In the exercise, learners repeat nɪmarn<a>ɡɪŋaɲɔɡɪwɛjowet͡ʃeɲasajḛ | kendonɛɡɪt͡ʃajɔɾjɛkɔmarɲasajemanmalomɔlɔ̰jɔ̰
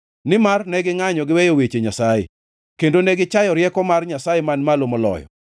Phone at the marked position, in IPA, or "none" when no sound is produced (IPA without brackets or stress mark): ɛ